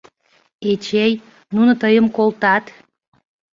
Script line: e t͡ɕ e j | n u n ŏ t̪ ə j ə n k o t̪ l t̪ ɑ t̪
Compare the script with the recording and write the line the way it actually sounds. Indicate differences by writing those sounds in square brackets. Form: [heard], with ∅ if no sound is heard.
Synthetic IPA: e t͡ɕ e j | n u n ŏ t̪ ə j ə [m] k o [∅] l t̪ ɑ t̪